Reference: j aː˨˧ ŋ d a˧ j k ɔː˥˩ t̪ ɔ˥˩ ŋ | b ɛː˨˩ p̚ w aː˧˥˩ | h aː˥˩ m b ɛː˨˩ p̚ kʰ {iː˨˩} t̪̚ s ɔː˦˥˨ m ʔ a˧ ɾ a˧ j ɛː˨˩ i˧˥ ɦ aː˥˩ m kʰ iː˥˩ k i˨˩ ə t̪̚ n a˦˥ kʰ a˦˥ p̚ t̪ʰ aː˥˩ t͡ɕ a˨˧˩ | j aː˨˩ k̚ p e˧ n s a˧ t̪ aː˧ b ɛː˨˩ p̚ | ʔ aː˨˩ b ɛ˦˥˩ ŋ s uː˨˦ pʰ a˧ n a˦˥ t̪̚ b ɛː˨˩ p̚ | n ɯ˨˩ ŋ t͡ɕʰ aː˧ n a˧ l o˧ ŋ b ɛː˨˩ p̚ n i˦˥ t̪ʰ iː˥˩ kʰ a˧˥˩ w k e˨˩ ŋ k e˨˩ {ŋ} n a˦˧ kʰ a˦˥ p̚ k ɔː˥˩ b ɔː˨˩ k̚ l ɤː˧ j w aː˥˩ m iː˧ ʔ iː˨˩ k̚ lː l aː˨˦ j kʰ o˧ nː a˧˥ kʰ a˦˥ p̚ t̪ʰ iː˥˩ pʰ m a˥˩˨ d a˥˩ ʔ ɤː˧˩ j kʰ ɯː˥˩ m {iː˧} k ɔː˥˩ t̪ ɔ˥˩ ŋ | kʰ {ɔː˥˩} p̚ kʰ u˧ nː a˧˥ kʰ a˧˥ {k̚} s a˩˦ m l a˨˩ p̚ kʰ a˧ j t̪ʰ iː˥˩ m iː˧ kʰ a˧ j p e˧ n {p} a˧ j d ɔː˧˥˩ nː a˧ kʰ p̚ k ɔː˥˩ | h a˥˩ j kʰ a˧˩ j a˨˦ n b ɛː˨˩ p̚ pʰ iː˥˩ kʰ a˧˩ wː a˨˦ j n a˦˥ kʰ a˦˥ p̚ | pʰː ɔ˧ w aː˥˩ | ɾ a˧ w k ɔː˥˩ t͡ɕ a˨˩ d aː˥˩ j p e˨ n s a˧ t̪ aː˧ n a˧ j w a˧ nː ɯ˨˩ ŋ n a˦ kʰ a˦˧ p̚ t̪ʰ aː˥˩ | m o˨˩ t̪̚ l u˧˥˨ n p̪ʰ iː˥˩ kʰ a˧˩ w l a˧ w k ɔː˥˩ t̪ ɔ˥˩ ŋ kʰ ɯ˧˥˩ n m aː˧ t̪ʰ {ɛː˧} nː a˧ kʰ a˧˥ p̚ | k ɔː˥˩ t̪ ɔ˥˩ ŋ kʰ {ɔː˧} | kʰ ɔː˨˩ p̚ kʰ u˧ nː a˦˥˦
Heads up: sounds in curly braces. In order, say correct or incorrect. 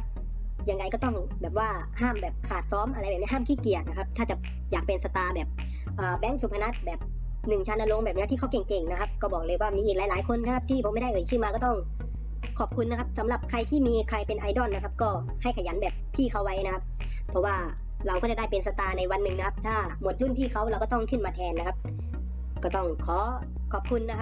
incorrect, correct, incorrect, incorrect, incorrect, incorrect, correct, incorrect

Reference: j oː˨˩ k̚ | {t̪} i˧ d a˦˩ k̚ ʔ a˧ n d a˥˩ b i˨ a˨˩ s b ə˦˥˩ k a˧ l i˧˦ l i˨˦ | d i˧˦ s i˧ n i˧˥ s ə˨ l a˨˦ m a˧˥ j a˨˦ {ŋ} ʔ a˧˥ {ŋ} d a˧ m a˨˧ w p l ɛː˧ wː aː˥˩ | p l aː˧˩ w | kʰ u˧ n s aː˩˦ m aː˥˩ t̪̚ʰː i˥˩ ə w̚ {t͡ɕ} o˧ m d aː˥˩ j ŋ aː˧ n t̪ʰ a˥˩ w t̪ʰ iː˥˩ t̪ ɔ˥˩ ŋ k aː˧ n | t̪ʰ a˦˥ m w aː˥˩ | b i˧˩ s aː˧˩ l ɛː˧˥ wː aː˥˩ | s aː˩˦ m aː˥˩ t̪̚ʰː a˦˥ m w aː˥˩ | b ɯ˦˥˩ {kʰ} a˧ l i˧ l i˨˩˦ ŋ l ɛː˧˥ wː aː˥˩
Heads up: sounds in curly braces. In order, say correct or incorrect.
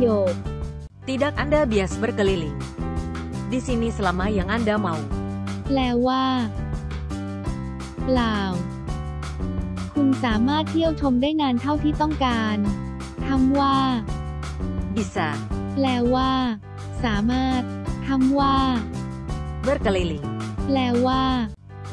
correct, correct, incorrect, incorrect, incorrect

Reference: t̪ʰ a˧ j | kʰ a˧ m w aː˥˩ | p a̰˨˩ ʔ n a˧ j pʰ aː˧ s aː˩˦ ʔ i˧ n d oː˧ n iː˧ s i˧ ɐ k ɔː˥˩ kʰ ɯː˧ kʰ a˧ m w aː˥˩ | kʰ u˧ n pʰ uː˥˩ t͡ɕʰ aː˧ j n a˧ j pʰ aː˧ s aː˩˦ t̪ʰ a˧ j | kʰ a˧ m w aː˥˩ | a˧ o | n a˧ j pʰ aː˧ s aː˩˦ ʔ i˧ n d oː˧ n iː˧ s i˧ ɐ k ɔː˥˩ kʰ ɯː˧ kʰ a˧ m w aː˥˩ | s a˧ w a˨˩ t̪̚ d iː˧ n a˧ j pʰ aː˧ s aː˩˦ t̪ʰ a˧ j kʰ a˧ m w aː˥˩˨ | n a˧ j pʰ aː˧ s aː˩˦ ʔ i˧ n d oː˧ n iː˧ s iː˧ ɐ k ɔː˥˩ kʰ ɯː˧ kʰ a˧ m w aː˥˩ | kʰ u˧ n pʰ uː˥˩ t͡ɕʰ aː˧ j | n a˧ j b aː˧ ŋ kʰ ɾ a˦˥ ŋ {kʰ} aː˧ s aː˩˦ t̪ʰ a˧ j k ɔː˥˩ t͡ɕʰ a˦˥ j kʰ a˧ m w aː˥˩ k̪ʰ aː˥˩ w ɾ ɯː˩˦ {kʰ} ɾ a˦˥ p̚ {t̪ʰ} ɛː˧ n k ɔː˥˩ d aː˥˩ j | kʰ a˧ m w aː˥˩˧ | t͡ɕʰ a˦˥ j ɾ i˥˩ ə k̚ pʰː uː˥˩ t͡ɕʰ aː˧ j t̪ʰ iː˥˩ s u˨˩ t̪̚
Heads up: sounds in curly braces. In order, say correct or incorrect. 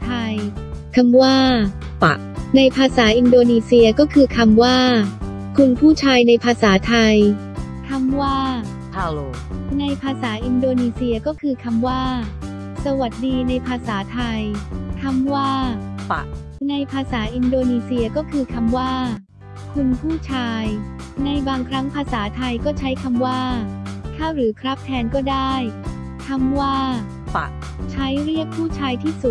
incorrect, correct, correct

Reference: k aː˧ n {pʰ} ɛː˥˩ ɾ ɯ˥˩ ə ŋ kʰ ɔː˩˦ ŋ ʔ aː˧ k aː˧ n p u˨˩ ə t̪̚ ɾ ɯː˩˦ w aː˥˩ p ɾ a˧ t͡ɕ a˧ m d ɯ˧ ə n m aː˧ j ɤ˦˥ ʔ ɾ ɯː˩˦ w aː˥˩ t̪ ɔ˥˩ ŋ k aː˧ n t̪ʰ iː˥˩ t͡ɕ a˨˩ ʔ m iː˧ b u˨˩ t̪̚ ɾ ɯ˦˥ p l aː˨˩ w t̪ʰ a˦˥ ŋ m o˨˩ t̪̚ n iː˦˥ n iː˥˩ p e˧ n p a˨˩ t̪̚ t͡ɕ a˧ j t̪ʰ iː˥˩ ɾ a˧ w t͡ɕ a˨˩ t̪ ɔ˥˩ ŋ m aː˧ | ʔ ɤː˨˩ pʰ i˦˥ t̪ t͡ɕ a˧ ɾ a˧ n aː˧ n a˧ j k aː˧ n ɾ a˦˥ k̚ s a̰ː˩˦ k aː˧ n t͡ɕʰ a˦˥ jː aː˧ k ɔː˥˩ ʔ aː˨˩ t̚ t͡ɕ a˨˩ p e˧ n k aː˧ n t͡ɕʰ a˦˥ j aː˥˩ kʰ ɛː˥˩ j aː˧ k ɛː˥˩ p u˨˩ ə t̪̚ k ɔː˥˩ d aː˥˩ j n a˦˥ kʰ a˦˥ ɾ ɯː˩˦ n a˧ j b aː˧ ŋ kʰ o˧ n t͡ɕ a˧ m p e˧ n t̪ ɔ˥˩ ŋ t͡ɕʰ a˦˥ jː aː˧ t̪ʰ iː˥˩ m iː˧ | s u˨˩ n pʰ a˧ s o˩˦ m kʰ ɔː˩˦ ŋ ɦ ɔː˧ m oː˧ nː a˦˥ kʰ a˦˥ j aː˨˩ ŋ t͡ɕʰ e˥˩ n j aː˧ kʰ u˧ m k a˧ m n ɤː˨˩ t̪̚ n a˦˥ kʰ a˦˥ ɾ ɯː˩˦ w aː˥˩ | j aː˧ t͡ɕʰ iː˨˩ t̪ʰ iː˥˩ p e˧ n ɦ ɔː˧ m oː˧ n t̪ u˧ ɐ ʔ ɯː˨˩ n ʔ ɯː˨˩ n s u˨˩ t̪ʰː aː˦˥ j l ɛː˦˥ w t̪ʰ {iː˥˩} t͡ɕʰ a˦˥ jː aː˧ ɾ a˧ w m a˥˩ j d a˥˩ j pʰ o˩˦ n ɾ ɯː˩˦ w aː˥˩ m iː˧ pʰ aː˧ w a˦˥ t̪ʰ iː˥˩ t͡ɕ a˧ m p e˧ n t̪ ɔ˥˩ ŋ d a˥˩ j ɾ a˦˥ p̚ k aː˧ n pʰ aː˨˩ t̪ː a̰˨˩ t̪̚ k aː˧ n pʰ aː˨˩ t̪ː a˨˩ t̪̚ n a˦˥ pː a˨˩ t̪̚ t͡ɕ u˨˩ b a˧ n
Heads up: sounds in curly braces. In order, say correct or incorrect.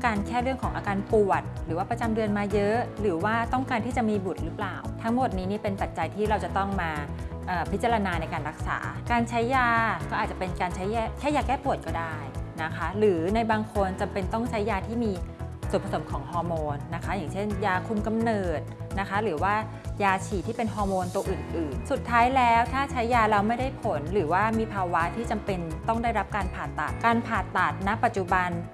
incorrect, incorrect

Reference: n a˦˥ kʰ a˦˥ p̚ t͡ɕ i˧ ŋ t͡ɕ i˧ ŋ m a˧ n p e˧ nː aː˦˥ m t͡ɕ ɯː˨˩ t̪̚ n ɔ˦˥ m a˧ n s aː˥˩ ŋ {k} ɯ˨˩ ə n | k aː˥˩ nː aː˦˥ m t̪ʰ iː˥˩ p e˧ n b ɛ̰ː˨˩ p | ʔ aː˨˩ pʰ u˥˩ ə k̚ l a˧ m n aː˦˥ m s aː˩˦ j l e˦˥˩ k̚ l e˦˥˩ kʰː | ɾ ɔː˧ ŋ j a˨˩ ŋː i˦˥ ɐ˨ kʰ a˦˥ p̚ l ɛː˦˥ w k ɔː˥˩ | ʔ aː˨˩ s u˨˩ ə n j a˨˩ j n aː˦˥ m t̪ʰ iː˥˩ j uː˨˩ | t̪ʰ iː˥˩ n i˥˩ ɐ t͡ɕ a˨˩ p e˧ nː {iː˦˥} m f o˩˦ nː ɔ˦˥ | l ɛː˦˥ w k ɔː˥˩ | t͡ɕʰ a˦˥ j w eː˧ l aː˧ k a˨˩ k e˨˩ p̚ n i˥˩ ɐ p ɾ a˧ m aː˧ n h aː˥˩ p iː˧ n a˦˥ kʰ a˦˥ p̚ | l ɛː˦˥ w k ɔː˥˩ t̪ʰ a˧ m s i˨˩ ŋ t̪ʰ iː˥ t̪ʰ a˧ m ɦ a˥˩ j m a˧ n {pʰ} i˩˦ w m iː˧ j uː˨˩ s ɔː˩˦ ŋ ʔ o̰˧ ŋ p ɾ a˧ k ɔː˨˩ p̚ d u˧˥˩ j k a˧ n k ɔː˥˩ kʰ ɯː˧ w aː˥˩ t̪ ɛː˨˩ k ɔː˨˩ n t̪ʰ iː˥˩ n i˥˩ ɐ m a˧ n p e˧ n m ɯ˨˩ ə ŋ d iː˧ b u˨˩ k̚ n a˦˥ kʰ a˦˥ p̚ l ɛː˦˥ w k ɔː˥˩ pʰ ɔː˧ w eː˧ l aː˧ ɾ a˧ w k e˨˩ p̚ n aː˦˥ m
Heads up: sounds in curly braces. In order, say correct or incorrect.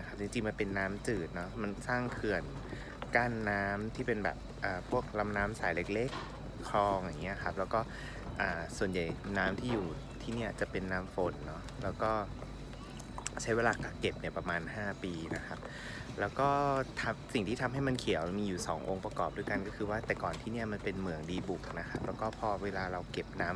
incorrect, incorrect, incorrect

